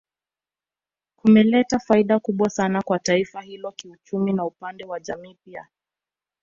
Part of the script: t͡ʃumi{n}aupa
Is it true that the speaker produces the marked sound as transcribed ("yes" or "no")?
yes